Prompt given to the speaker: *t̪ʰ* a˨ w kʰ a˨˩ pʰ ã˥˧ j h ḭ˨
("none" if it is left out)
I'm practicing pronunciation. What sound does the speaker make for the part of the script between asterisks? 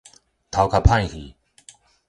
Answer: t̪ʰ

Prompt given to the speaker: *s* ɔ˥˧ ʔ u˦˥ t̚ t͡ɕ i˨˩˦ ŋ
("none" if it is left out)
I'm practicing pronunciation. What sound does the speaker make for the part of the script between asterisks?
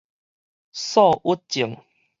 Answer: s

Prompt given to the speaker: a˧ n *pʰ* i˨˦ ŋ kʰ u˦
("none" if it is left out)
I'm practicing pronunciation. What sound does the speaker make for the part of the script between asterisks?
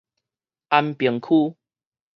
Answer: p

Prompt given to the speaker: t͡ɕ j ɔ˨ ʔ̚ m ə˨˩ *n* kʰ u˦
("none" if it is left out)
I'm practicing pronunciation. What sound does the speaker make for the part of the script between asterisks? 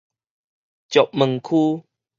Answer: ŋ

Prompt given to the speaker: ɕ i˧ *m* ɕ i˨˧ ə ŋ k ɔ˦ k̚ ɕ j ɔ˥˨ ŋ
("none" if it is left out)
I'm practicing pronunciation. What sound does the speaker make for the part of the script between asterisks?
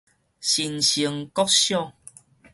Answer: n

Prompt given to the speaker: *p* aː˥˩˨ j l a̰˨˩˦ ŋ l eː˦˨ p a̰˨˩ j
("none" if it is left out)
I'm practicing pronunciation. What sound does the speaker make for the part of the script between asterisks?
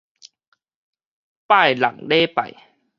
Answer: p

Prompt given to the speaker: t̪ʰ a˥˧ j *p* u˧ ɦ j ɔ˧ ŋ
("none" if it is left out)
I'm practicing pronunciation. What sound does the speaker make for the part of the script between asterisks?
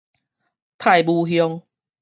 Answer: b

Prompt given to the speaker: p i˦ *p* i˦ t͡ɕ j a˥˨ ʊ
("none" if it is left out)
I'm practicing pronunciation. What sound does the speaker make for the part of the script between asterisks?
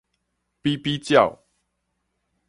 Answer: p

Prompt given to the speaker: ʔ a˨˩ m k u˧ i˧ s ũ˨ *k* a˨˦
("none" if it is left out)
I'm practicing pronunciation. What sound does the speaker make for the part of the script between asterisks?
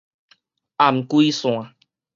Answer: none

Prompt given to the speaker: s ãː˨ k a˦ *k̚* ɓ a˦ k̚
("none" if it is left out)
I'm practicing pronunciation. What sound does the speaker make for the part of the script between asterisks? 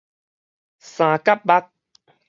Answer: p̚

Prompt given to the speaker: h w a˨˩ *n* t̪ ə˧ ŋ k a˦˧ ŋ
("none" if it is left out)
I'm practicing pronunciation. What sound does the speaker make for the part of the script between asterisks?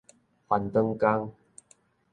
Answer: n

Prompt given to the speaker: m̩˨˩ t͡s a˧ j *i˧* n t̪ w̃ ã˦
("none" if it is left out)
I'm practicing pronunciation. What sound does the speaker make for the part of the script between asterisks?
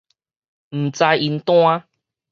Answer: i˧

